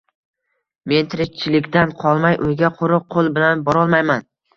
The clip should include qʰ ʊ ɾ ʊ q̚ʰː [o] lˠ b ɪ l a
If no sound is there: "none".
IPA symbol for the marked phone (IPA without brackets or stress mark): o